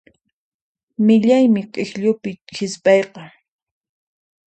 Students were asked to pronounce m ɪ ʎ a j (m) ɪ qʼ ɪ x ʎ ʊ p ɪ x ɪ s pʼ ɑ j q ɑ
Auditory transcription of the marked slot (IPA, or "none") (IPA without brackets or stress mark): m